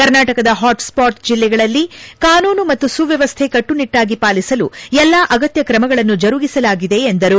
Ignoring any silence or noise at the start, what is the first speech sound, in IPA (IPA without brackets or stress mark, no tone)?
k